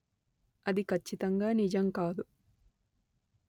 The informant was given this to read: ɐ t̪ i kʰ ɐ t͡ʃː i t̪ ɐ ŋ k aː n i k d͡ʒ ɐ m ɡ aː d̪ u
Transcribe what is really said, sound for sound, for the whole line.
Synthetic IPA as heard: ɐ d̪ i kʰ ɐ t͡ʃː i t̪ ɐ ŋ ɡ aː n i d͡ʒ ɐ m k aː d̪ u